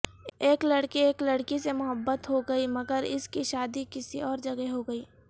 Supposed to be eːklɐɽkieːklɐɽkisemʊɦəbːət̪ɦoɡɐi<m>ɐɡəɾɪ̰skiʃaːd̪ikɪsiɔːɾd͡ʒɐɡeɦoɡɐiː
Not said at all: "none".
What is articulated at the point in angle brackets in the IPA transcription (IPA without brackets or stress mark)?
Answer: m